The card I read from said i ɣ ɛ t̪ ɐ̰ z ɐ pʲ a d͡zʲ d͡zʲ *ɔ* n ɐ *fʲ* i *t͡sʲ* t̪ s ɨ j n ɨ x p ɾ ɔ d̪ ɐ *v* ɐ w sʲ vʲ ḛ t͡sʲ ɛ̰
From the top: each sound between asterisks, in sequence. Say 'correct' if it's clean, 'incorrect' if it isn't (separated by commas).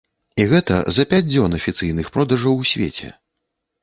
correct, correct, incorrect, incorrect